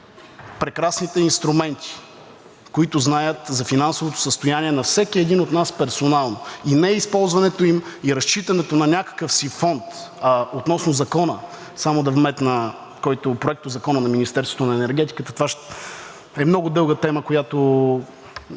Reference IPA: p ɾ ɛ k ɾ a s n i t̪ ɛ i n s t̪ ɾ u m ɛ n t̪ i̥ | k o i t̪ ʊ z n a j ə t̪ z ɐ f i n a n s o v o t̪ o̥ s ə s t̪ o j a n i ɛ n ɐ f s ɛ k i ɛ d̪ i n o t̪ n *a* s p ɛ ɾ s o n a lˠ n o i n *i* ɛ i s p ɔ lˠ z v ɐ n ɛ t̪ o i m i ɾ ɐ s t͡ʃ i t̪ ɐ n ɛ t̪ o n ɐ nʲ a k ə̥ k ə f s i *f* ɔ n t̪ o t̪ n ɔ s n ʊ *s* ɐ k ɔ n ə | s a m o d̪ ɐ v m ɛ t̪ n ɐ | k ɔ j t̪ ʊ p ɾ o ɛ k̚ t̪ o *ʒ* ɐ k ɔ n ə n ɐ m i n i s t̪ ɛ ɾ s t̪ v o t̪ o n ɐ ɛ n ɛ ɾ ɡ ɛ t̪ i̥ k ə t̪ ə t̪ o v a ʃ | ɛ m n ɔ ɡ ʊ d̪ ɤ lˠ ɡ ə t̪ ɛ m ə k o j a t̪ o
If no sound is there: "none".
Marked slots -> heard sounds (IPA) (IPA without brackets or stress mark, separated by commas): a, ɛ, f, z, z